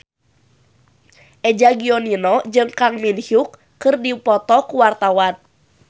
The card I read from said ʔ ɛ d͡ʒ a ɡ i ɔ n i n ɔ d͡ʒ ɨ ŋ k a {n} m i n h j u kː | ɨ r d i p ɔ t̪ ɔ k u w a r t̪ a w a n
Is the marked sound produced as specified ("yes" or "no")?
no